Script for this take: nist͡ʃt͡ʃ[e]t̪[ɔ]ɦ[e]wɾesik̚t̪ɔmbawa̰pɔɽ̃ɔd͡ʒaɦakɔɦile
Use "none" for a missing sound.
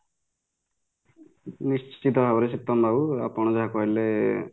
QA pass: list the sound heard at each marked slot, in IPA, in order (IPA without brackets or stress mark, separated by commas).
i, ɔ, a